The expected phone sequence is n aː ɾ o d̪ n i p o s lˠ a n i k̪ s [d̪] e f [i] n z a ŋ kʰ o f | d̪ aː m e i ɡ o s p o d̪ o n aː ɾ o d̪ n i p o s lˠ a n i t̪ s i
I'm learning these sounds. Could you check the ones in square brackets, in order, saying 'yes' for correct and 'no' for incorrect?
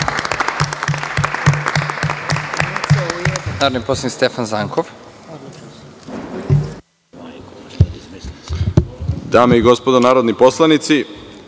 no, no

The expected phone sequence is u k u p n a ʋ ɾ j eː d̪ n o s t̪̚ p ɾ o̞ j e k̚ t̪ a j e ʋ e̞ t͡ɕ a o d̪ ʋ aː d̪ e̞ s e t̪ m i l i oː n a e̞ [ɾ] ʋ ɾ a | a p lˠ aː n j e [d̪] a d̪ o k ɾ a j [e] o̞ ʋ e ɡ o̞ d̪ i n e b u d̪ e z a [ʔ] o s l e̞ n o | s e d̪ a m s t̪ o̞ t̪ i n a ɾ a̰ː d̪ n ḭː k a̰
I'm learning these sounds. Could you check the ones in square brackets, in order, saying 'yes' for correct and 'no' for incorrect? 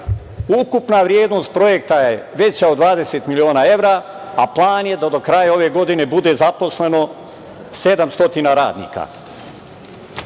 no, yes, no, no

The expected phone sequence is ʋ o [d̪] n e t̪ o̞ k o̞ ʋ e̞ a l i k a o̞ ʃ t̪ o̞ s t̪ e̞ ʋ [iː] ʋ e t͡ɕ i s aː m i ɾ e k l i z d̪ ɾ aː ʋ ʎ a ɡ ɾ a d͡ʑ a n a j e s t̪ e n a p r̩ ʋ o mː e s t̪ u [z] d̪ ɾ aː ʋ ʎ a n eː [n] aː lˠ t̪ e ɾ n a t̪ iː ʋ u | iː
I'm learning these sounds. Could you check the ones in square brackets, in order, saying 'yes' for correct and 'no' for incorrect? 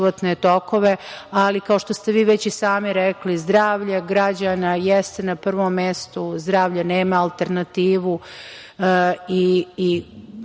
no, yes, yes, no

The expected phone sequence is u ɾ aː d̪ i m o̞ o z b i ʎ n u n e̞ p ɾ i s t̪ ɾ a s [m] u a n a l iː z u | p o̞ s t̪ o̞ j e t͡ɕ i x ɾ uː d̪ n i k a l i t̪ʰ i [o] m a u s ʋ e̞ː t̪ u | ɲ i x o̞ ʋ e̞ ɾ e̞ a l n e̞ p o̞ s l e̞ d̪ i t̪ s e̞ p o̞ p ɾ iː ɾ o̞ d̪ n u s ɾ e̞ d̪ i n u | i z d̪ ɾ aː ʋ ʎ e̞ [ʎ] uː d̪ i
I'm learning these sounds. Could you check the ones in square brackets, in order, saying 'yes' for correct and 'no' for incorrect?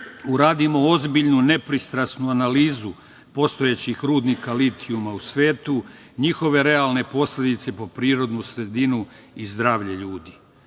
no, no, yes

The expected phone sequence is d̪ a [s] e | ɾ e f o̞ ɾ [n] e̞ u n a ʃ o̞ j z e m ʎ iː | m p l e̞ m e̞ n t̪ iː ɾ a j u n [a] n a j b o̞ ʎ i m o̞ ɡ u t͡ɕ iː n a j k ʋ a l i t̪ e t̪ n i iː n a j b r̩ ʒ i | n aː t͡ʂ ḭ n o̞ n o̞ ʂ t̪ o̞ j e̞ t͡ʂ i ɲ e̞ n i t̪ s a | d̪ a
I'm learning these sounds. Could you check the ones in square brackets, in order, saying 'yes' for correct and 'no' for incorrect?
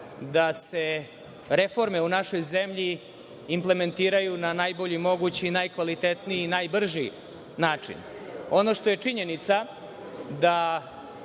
yes, no, yes

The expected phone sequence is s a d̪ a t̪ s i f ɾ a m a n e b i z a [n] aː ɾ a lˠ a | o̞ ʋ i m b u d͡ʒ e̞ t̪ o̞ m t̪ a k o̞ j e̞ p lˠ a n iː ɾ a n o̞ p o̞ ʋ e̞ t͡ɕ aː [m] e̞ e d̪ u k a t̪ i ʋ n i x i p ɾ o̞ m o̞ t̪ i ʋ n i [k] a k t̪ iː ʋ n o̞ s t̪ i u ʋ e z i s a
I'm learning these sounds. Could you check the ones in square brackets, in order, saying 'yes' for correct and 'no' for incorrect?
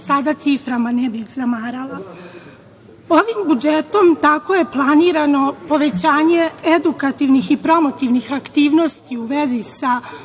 no, no, no

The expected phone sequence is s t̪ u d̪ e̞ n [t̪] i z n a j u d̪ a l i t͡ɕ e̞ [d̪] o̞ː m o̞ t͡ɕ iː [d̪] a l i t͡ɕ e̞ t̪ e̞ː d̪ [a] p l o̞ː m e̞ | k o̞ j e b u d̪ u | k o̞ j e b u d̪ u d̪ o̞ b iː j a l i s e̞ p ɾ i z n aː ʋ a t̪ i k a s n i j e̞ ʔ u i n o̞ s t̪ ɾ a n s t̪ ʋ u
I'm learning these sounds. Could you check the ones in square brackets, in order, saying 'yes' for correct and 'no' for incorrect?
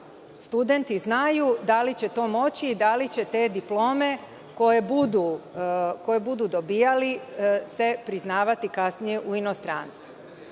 yes, no, yes, no

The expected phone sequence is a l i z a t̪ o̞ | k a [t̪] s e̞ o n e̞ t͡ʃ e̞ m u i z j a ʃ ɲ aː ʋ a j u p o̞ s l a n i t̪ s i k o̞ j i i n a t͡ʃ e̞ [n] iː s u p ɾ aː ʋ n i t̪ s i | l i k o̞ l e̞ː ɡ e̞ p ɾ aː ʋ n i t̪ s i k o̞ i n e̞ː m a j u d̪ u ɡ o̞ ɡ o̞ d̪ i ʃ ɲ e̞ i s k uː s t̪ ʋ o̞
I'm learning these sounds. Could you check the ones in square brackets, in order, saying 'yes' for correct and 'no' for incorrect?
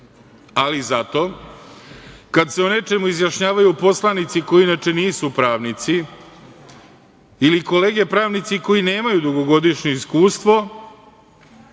no, yes

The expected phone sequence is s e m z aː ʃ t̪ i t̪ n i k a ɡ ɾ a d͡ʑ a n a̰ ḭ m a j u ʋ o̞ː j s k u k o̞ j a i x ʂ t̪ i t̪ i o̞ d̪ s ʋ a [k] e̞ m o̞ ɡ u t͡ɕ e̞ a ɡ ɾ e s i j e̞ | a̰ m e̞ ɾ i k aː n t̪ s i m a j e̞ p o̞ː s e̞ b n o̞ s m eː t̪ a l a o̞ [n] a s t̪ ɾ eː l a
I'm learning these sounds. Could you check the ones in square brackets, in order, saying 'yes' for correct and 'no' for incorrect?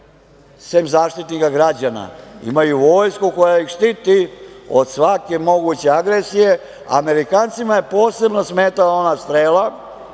yes, yes

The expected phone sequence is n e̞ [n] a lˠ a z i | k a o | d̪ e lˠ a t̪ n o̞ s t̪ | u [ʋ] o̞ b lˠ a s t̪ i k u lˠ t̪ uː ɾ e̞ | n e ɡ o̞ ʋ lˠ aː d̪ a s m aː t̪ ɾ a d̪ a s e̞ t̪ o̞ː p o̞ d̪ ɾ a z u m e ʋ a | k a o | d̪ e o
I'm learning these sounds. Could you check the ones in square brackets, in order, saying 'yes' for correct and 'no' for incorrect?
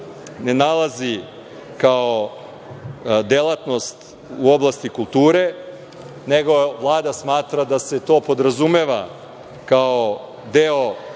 yes, no

